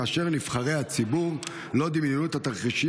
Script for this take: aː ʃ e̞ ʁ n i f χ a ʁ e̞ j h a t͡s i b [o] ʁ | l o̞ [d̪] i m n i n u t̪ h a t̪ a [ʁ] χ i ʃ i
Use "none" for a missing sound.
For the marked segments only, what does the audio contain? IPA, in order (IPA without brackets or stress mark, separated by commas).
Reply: u, d̪, ʁ